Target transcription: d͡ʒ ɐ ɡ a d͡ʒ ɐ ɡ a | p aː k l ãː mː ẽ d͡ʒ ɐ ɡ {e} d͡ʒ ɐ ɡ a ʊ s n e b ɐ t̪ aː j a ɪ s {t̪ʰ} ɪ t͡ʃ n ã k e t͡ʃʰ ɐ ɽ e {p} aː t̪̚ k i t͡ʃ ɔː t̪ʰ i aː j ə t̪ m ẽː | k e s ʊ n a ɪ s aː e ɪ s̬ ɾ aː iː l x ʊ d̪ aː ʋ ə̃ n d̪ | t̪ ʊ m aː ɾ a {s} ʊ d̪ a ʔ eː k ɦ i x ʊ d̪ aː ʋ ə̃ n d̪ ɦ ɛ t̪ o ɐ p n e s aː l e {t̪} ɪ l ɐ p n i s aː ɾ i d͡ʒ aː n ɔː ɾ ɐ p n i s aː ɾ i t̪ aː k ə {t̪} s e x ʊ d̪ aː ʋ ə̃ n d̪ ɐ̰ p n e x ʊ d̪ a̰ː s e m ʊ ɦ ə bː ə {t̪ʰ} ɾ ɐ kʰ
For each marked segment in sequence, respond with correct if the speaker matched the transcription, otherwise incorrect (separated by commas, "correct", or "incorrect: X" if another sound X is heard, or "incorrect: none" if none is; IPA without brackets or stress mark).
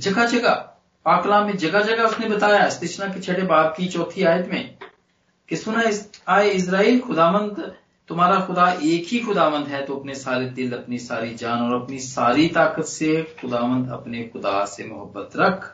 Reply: incorrect: a, incorrect: t̪, incorrect: b, incorrect: x, incorrect: d̪, correct, incorrect: t̪